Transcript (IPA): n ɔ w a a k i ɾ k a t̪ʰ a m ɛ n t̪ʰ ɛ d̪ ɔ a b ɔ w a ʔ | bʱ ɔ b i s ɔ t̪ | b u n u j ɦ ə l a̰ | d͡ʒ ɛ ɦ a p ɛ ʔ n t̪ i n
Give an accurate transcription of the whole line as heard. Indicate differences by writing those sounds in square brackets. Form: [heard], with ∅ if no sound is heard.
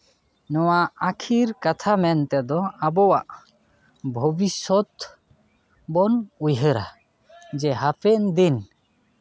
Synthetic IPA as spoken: n ɔ w a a [kʰ] i ɾ k a t̪ʰ a m ɛ n [t̪] ɛ d̪ ɔ a b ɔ w a ʔ | bʱ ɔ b i s ɔ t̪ | b [ɔ] n u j ɦ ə [ɾ] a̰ | d͡ʒ ɛ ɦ a p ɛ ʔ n [d̪] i n